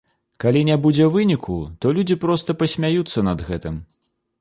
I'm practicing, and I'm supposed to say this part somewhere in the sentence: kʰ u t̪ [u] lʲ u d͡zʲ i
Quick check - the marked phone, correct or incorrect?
incorrect